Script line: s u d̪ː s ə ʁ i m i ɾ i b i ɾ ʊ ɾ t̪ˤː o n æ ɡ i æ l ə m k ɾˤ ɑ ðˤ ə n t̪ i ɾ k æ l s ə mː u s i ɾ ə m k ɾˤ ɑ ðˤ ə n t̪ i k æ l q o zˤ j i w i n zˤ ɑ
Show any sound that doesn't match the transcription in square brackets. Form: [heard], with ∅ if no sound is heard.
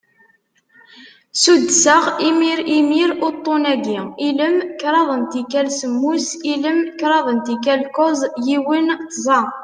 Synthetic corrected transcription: s u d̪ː s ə ʁ i m i ɾ i [m] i ɾ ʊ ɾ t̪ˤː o n æ ɡ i [i] l ə m k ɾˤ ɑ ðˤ ə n t̪ i [∅] k æ l s ə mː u s i [l] ə m k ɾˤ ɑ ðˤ ə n t̪ i k æ l [k] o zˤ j i w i n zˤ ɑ